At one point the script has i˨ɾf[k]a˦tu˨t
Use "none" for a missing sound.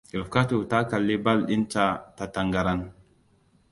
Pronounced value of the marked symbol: k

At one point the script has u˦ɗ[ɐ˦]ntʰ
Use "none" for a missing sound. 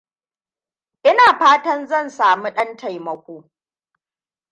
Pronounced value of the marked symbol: ɐ˦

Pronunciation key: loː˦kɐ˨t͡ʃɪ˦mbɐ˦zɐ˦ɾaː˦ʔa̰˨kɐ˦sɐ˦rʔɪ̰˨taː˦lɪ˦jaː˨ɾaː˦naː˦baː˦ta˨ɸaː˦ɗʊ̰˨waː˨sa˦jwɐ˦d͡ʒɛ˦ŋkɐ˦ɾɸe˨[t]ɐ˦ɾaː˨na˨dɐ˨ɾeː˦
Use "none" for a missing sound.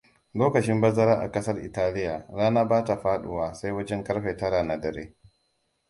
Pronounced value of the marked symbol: t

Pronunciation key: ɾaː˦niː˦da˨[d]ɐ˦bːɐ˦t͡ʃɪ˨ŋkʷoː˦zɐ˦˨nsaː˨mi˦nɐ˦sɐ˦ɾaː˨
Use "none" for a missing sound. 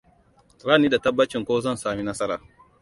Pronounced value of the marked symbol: t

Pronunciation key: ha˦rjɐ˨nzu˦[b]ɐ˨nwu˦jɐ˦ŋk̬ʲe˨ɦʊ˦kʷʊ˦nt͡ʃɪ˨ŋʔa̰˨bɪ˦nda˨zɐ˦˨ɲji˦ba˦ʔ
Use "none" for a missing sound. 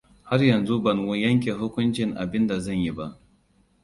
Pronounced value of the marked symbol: b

